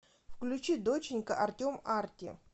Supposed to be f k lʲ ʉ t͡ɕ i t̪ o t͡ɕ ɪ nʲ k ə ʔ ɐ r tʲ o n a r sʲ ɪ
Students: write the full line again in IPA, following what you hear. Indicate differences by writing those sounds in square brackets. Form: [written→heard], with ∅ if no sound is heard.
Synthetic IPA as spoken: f k lʲ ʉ t͡ɕ i [t̪→d̪] o t͡ɕ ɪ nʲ k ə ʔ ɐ r tʲ o [n→m] a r [sʲ→tʲ] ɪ